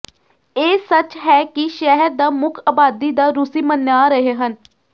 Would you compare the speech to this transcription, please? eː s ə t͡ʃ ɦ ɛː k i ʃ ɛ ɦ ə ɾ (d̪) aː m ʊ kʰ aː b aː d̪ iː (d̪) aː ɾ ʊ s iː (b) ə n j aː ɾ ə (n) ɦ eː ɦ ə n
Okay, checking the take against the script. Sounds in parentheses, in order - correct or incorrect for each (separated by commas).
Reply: correct, correct, incorrect, incorrect